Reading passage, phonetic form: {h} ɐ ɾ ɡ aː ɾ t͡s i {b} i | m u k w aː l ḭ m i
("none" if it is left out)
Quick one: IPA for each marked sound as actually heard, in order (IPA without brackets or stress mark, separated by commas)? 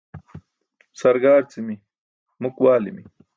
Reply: s, m